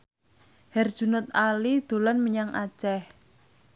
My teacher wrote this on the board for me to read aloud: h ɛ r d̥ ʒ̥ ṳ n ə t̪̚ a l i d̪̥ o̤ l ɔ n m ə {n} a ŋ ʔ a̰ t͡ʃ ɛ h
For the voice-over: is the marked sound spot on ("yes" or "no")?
no